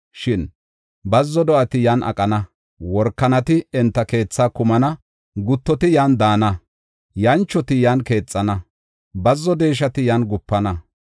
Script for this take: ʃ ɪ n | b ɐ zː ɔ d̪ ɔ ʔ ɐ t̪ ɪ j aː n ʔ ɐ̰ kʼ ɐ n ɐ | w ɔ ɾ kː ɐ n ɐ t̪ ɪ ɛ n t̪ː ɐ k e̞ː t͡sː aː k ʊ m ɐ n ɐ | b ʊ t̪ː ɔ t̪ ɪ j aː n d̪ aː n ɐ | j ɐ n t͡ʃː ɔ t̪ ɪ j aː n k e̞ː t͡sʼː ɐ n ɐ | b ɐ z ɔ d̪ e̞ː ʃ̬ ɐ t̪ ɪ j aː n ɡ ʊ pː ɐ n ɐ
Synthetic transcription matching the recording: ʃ ɪ n | b ɐ zː ɔ d̪ ɔ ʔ ɐ t̪ ɪ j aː n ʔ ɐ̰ kʼ ɐ n ɐ | w ɔ ɾ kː ɐ n ɐ t̪ ɪ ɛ n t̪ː ɐ k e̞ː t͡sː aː k ʊ m ɐ n ɐ | ɡ ʊ t̪ː ɔ t̪ ɪ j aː n d̪ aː n ɐ | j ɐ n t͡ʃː ɔ t̪ ɪ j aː n k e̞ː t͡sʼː ɐ n ɐ | b ɐ zː ɔ d̪ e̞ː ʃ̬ ɐ t̪ ɪ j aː n ɡ ʊ pː ɐ n ɐ